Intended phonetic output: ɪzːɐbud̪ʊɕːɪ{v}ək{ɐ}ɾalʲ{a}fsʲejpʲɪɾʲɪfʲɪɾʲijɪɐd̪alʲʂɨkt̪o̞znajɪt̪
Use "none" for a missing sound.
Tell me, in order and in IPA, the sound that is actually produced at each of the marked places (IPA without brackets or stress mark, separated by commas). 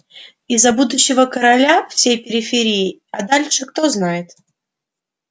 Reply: v, ə, a